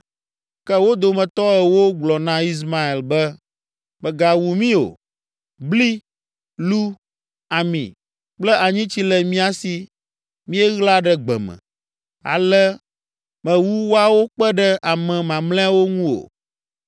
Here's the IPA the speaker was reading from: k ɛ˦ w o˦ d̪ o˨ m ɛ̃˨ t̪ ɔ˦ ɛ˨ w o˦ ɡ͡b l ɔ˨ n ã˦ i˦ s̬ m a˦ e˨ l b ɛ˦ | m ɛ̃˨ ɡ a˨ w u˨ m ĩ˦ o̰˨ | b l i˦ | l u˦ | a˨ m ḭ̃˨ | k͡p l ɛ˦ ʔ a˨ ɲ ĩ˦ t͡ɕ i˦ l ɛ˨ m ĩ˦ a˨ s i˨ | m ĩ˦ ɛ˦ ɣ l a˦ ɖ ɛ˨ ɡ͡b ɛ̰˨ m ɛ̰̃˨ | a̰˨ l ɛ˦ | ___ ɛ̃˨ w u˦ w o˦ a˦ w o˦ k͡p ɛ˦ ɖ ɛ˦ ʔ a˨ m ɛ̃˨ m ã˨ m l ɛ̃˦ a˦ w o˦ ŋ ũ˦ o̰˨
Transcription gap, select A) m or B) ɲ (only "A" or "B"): A